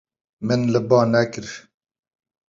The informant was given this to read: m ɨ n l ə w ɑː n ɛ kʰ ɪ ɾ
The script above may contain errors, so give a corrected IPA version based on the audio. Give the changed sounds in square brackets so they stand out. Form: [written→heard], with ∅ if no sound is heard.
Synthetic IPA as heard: m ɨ n l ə [w→b] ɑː n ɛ [kʰ→k] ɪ ɾ